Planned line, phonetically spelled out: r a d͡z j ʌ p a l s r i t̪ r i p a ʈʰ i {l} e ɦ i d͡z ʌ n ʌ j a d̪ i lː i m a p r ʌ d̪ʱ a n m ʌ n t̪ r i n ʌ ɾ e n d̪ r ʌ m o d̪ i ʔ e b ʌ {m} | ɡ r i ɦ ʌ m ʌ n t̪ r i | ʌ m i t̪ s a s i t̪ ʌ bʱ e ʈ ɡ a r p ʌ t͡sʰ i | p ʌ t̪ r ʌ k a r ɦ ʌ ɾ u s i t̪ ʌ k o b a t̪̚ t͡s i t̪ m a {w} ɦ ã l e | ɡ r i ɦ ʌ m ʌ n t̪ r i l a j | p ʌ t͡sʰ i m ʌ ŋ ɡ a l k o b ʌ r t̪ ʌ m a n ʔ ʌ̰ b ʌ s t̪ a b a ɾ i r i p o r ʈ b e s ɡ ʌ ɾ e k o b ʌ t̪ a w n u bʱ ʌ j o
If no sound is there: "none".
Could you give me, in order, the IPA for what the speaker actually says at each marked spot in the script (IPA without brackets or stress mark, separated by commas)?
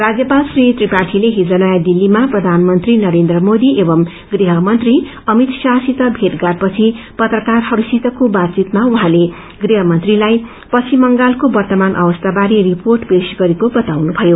l, m, u